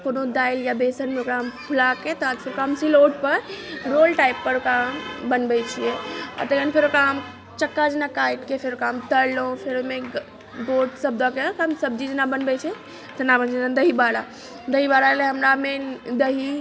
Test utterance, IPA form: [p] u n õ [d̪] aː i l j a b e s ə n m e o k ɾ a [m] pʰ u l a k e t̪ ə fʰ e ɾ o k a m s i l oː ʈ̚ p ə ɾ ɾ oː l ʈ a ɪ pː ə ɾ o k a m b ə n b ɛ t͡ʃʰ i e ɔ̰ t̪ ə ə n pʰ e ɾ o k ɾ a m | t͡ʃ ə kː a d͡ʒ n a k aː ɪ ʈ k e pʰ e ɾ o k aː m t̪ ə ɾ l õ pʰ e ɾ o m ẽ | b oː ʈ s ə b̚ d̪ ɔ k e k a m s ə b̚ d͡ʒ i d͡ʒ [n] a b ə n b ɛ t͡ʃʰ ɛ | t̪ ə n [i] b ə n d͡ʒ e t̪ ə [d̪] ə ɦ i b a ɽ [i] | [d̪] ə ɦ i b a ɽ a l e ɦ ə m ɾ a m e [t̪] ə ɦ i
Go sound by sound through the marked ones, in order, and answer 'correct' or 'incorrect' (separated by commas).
correct, correct, correct, correct, incorrect, correct, incorrect, correct, incorrect